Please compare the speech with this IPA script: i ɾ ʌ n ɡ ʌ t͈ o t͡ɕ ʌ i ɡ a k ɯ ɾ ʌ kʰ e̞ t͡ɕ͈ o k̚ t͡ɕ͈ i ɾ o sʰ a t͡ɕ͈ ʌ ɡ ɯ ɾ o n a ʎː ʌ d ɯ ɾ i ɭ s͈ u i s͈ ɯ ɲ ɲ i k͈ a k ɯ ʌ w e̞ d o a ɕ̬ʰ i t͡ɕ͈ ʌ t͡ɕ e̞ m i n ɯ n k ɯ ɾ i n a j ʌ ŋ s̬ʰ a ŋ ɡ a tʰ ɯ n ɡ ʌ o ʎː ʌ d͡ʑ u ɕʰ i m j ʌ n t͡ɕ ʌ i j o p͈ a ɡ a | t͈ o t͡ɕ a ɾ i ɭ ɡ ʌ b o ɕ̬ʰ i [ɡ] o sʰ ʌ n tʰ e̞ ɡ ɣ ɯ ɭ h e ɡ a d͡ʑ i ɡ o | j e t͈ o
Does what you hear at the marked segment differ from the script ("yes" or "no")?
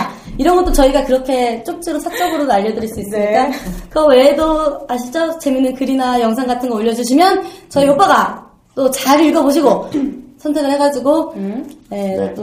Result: no